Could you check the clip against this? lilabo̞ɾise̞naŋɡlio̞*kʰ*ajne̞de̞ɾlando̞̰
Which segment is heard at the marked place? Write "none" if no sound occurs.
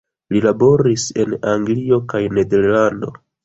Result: k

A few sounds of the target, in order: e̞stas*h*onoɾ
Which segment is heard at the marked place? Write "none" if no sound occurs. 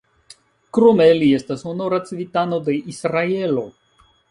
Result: h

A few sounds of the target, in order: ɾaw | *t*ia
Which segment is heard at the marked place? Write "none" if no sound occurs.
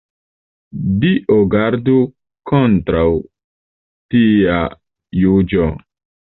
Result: t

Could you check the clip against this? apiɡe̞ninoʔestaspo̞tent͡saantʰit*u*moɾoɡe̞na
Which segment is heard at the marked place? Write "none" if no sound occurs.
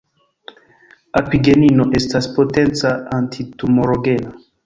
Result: u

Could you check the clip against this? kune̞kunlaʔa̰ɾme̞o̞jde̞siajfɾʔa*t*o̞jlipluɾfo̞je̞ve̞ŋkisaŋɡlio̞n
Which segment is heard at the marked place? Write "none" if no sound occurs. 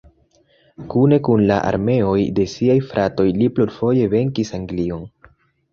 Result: t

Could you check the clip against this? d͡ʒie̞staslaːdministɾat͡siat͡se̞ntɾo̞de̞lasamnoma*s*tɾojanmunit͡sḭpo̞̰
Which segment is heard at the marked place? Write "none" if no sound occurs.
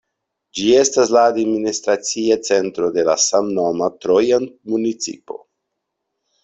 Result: none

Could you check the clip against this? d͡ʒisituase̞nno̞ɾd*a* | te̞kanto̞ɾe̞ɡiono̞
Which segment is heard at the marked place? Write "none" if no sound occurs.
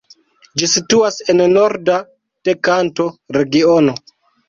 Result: a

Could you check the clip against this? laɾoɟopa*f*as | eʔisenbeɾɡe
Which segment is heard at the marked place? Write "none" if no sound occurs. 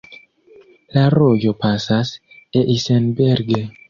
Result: s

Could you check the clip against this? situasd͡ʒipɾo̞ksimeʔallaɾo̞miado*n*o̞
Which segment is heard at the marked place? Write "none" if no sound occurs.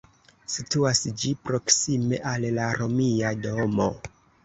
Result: m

